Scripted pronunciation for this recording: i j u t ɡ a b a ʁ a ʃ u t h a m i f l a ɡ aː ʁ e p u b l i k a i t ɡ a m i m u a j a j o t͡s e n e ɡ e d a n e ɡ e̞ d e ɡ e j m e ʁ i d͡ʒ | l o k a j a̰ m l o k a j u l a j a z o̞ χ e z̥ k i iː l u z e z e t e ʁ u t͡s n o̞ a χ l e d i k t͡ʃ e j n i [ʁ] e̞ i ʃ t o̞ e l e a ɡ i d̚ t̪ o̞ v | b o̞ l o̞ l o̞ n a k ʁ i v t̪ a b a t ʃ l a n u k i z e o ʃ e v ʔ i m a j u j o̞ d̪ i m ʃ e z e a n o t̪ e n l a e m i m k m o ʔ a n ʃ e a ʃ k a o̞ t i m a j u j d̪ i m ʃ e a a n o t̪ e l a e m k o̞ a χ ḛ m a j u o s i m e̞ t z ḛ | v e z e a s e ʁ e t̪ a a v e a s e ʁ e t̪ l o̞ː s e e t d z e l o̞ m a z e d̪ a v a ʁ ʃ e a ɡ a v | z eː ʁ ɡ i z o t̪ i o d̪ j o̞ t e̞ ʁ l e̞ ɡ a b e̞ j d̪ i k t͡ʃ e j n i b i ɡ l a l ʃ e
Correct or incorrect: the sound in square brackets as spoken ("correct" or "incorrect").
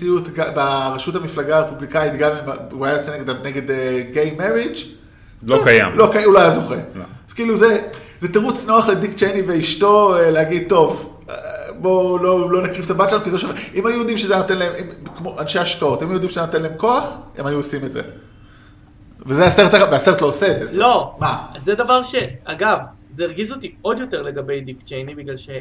incorrect